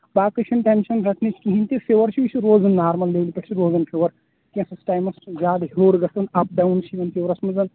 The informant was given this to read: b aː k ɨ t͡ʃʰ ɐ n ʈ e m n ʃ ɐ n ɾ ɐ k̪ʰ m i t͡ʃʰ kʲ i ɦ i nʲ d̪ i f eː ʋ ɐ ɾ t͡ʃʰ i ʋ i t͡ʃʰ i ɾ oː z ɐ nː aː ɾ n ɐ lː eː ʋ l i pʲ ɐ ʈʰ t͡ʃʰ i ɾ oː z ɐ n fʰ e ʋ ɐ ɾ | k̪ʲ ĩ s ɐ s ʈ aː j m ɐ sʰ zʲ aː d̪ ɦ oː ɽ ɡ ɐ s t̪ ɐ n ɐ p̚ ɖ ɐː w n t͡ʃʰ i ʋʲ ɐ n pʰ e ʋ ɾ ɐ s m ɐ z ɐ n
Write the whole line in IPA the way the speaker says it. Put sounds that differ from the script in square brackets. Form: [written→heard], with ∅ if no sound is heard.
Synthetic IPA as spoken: b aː k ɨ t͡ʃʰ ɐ n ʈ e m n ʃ ɐ n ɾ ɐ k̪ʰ [m→n] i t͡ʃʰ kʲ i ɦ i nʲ [d̪→t̪] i f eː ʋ ɐ ɾ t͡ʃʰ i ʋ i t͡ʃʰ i ɾ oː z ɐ nː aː ɾ [n→m] ɐ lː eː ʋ l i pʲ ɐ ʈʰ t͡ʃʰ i ɾ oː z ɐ n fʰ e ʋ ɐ ɾ | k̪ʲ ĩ s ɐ s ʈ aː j m ɐ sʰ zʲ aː d̪ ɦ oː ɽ ɡ ɐ s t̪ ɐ n ɐ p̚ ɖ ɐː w n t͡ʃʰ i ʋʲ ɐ n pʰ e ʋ ɾ ɐ s m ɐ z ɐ n